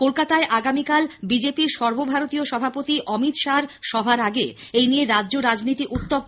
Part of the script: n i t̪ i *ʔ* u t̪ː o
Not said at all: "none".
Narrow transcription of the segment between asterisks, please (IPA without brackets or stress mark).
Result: ʔ